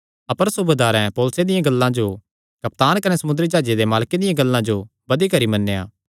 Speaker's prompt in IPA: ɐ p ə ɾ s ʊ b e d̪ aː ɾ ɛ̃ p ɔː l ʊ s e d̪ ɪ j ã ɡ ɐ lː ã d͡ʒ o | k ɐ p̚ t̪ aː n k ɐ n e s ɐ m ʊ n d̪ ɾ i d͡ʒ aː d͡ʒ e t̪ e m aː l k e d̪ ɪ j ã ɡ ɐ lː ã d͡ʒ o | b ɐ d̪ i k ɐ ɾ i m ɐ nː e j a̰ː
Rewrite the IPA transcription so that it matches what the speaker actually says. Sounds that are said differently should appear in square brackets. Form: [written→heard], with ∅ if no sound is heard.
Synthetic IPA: ɐ p ə ɾ s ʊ b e d̪ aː ɾ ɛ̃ p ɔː l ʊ s e d̪ ɪ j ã ɡ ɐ lː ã d͡ʒ o | k ɐ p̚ t̪ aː n k ɐ n e s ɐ m ʊ n d̪ ɾ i d͡ʒ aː d͡ʒ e [t̪→d̪] e m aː l k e d̪ ɪ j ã ɡ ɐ lː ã d͡ʒ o | b ɐ d̪ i k ɐ ɾ i m ɐ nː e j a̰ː

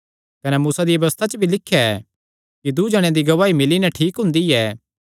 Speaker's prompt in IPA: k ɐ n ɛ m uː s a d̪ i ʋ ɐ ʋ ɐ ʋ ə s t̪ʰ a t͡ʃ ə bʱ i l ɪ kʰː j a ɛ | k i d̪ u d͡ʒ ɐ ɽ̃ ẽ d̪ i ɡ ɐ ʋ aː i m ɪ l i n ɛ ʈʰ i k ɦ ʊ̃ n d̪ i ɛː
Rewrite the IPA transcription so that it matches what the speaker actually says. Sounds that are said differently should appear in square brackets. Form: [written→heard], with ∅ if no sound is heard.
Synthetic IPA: k ɐ n ɛ m uː s a d̪ i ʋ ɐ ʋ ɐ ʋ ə s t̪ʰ a t͡ʃ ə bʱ i l ɪ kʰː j a ɛ | k i d̪ u d͡ʒ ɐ ɽ̃ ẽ d̪ i ɡ ɐ ʋ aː i m ɪ l i n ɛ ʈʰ [i→iː] k ɦ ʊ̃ n d̪ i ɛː

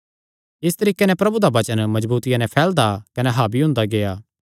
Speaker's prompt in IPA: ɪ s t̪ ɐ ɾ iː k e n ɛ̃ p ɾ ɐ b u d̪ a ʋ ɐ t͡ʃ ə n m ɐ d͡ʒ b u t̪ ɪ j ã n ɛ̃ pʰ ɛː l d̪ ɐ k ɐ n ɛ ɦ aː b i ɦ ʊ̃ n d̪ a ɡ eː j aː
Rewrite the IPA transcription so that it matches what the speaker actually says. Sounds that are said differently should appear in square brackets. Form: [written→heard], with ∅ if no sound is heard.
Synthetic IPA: ɪ s t̪ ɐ ɾ iː k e n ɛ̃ p ɾ ɐ b u d̪ a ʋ ɐ t͡ʃ ə n m ɐ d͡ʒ b [u→uː] t̪ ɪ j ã n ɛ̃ pʰ ɛː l d̪ [ɐ→a] k ɐ n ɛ ɦ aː b i ɦ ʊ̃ n d̪ a ɡ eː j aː

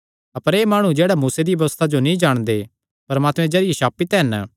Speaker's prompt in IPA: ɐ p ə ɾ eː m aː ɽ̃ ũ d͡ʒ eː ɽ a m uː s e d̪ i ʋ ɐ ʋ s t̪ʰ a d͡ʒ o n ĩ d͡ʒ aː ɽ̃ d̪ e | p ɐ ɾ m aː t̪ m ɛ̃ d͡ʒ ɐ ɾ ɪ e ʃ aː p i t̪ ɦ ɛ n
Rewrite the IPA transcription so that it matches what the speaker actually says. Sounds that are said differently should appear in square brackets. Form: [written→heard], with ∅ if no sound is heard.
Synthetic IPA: ɐ p ə ɾ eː m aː ɽ̃ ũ d͡ʒ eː ɽ a m uː s e d̪ i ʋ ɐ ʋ s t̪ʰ a d͡ʒ o n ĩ d͡ʒ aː ɽ̃ d̪ e | p ɐ ɾ m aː t̪ m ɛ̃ d͡ʒ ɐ ɾ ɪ e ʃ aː p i t̪ ɦ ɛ n

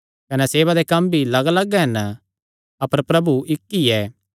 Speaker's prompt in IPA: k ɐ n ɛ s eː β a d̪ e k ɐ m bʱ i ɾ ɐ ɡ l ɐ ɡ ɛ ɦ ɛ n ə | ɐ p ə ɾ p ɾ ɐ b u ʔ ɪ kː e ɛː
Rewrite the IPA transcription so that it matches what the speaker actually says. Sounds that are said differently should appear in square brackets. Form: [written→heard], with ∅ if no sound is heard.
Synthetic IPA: k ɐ n ɛ s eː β a d̪ e k ɐ m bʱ i [ɾ→l] ɐ ɡ l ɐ ɡ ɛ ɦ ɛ n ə | ɐ p ə ɾ p ɾ ɐ b u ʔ ɪ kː [e→i] ɛː

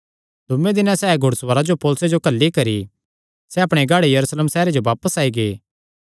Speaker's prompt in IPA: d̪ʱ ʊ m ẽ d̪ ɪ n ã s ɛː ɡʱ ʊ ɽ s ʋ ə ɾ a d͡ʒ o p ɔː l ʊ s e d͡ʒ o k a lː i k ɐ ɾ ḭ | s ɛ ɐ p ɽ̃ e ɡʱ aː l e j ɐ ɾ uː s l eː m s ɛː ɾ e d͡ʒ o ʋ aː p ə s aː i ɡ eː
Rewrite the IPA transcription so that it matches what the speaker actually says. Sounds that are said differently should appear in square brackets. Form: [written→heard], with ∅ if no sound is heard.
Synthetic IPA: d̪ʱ ʊ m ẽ d̪ ɪ n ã s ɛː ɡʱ ʊ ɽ s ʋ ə ɾ a d͡ʒ o p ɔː l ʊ s e d͡ʒ o k [a→ɐ] lː i k ɐ ɾ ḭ | s ɛ ɐ p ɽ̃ e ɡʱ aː [l→ɽ] e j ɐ ɾ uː s l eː m s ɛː ɾ e d͡ʒ o ʋ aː p ə s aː i ɡ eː

